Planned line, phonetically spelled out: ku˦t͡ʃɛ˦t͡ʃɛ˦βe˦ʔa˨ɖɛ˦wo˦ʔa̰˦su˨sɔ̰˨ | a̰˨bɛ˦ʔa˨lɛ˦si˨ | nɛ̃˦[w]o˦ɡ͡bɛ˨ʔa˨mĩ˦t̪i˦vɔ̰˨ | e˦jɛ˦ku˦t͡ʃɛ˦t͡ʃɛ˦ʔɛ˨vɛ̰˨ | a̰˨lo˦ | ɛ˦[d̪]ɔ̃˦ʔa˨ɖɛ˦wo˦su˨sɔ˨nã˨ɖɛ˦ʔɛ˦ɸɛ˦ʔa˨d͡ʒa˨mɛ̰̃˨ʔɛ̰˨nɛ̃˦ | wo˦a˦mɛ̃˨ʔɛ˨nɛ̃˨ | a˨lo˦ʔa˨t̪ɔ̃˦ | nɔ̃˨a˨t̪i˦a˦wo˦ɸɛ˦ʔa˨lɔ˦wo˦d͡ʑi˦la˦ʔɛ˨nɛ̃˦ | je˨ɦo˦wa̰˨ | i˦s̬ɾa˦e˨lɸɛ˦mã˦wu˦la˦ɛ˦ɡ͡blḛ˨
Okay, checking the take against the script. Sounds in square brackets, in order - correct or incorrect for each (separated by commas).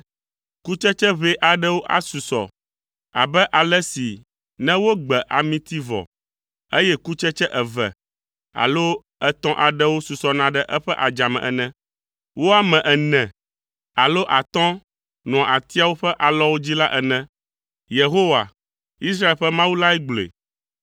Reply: correct, incorrect